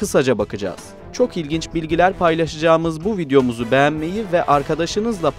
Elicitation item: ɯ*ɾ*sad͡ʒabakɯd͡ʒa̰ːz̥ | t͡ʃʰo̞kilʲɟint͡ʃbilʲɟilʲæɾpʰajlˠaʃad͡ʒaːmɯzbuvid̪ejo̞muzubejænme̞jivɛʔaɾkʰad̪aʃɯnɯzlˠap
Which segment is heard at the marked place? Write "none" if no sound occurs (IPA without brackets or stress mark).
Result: none